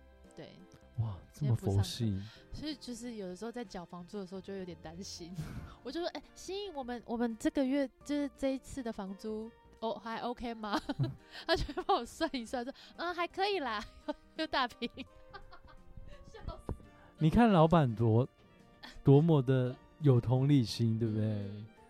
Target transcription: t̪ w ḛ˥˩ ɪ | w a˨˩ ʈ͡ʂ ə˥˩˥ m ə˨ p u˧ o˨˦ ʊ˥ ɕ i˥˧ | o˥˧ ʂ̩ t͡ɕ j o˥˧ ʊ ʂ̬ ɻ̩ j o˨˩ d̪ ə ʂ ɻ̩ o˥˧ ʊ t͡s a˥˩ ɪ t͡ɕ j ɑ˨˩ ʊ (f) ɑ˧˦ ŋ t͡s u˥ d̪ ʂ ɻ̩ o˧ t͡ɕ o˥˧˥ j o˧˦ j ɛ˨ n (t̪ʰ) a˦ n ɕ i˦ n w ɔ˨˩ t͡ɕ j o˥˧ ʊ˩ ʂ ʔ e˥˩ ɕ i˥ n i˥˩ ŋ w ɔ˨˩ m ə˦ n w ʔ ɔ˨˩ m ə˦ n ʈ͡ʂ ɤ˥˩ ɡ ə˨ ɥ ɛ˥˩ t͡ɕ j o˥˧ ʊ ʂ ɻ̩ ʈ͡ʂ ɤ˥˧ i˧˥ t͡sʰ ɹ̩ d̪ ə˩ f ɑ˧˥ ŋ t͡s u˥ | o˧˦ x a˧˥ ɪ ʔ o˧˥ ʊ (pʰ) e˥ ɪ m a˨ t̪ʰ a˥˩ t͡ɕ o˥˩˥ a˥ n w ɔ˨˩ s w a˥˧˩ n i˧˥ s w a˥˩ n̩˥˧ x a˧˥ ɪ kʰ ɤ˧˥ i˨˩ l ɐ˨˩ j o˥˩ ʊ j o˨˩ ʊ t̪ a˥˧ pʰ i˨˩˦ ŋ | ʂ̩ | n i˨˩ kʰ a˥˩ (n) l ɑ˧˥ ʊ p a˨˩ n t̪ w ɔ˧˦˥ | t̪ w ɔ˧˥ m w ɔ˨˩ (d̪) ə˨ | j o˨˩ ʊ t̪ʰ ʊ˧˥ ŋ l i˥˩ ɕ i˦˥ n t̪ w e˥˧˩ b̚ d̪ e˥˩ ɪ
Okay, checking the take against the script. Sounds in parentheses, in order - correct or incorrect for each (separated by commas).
correct, incorrect, incorrect, correct, correct